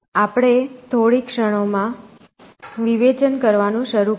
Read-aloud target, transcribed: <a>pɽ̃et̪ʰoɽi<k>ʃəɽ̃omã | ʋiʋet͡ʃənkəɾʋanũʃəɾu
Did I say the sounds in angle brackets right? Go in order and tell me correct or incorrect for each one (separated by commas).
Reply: correct, correct